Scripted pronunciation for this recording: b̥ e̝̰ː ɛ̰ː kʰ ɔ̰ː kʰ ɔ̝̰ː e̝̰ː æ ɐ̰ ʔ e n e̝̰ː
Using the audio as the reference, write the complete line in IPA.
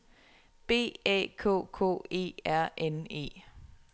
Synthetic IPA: b̥ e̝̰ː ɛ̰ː kʰ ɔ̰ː kʰ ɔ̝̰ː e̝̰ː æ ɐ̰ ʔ e n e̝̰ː

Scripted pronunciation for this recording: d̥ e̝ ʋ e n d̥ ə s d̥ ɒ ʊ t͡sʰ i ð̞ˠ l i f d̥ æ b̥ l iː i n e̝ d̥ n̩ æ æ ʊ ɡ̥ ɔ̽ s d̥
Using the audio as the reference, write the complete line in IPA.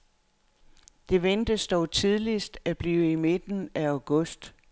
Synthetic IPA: d̥ e̝ ʋ e n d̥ ə s d̥ ɒ ʊ t͡sʰ i ð̞ˠ l i s d̥ æ b̥ l iː i m e̝ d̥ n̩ æ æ ʊ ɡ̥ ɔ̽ s d̥

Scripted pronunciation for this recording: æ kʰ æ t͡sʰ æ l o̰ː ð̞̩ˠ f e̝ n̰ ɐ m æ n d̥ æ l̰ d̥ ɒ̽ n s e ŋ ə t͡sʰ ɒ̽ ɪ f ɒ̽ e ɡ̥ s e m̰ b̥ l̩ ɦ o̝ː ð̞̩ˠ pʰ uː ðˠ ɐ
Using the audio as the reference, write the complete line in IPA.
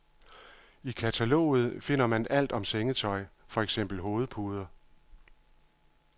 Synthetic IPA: i kʰ æ t͡sʰ æ l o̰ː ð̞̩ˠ f e̝ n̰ ɐ m æ n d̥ æ l̰ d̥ ɒ̽ m s e ŋ ə t͡sʰ ɒ̽ ɪ f ɒ̽ e ɡ̥ s e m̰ b̥ l̩ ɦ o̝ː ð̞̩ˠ pʰ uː ðˠ ɐ

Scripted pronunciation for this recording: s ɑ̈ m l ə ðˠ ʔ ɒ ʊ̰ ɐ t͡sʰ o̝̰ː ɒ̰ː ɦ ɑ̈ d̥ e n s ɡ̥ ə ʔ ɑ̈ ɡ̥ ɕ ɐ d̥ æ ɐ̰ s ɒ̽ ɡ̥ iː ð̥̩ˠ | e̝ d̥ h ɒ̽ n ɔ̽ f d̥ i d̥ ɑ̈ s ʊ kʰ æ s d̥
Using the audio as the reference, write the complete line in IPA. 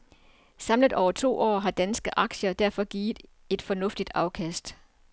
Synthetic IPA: s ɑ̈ m l ə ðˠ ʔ ɒ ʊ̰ ɐ t͡sʰ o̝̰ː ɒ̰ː ɦ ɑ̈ d̥ æ n s ɡ̥ ə ʔ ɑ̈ ɡ̥ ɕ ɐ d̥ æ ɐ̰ f ɒ̽ ɡ̥ iː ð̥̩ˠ | e̝ d̥ f ɒ̽ n ɔ̽ f d̥ i d̥ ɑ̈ ʊ kʰ æ s d̥

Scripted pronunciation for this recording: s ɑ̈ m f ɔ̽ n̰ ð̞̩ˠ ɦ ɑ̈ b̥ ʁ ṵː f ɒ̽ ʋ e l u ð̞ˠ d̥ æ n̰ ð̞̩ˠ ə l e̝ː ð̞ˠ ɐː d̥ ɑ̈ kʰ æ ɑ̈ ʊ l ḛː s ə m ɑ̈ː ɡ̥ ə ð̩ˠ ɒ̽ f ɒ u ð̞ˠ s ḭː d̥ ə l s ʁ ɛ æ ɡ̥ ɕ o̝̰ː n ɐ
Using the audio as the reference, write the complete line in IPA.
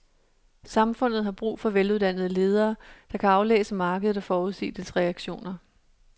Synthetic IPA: s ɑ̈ m f ɔ̽ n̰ ð̞̩ˠ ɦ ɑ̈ b̥ ʁ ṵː f ɒ̽ ʋ e l u ð̞ˠ d̥ æ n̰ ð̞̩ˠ ə l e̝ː ð̞ˠ ɐː d̥ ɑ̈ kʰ æ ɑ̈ ʊ l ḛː s ə m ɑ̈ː ɡ̥ ə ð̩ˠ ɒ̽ f ɒː u ð̞ˠ s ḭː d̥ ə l s ʁ ɛ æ ɡ̥ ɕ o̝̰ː n ɐ

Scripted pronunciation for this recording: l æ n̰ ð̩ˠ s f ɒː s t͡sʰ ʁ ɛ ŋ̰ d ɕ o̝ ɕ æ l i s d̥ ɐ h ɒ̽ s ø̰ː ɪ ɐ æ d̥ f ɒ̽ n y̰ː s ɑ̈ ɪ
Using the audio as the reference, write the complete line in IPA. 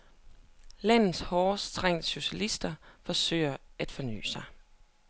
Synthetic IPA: l æ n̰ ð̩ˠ s h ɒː s t͡sʰ ʁ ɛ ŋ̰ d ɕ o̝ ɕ æ l i s d̥ ɐ f ɒ̽ s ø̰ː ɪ ɐ æ d̥ f ɒ̽ n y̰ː s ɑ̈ ɪ

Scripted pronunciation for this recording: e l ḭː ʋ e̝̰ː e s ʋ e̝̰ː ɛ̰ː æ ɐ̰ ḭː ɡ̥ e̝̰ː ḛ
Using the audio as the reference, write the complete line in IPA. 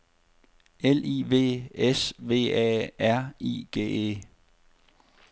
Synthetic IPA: e l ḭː ʋ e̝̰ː e s ʋ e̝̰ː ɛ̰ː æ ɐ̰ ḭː ɡ̥ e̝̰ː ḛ

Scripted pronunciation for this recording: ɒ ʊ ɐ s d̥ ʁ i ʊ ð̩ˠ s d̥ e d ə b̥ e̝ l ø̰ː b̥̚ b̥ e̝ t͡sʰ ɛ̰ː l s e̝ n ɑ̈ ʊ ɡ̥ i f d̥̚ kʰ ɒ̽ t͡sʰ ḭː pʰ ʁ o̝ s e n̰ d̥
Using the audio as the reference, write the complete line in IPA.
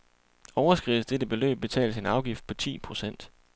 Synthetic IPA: ɒ ʊ ɐ s ɡ̥ ʁ i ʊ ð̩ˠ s d̥ e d ə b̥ e̝ l ø̰ː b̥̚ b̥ e̝ t͡sʰ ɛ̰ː l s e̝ n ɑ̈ ʊ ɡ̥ i f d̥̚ pʰ ɒ̽ t͡sʰ ḭː pʰ ʁ o̝ s e n̰ d̥

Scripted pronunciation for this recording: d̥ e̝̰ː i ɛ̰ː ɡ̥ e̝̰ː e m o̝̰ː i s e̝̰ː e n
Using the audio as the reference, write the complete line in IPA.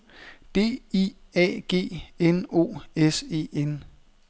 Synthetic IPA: d̥ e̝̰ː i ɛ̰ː ɡ̥ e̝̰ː e n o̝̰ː e s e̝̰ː e n

